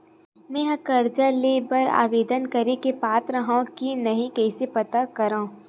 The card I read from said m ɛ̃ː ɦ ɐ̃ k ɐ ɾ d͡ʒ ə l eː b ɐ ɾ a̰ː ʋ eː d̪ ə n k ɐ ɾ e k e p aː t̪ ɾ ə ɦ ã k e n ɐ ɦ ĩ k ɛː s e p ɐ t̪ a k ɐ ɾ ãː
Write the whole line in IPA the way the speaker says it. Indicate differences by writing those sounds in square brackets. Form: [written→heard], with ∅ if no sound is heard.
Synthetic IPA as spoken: m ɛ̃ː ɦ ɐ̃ k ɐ ɾ d͡ʒ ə l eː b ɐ ɾ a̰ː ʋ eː d̪ ə n k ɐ ɾ e k e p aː t̪ ɾ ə ɦ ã k [e→i] n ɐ ɦ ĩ k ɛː s e p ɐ t̪ a k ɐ ɾ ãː